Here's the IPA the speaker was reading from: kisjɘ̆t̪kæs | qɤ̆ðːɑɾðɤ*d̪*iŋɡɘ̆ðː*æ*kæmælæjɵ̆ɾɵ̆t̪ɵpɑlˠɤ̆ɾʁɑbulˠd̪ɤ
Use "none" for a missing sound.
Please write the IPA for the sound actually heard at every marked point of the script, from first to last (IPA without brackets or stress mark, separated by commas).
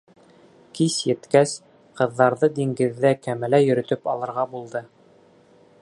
d̪, æ